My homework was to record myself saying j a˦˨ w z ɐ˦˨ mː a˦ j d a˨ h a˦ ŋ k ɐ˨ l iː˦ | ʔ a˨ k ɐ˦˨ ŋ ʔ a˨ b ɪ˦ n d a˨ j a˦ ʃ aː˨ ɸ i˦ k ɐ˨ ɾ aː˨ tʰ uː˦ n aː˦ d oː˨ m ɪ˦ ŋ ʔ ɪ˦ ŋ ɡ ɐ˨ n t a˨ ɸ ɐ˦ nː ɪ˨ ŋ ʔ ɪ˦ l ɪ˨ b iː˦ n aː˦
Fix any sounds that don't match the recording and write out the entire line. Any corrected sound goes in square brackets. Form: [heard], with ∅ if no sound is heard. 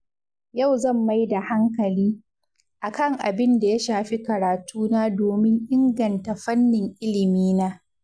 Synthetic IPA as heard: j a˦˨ w z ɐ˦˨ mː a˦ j d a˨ h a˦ ŋ k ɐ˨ l iː˦ | ʔ a˨ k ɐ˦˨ ŋ ʔ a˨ b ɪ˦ n d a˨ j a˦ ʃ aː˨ ɸ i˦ k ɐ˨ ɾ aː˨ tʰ uː˦ n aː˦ d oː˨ m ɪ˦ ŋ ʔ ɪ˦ ŋ ɡ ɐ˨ n t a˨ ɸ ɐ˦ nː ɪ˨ ŋ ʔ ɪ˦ l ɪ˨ [m] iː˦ n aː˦